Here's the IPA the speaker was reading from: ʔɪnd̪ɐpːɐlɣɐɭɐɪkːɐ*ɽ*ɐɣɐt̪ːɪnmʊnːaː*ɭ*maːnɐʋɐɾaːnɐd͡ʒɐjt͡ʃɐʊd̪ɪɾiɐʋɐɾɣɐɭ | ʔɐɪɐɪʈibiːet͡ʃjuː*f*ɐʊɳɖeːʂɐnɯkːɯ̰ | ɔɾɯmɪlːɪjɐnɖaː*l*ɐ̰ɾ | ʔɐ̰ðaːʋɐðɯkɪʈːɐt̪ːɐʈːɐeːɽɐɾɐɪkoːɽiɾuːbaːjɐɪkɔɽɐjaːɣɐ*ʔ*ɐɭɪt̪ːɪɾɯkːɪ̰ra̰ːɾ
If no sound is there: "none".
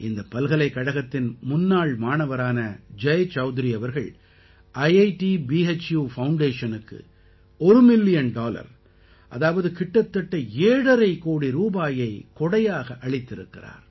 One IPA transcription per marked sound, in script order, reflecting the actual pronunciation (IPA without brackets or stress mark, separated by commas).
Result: ɽ, ɭ, f, l, ʔ